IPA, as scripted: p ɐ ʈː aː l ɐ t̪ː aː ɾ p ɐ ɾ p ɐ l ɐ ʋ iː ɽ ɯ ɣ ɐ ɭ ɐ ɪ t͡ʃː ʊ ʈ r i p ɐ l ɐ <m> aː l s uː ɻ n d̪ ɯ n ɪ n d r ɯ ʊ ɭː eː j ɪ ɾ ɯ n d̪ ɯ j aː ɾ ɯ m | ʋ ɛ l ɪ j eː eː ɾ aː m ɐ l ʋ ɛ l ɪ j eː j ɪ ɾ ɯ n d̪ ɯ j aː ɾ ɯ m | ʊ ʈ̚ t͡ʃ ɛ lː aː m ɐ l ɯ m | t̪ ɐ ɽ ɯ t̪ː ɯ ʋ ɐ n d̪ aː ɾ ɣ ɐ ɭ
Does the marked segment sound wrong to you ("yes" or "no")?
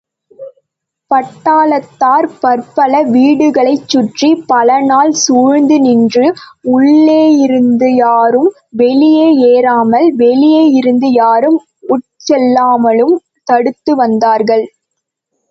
yes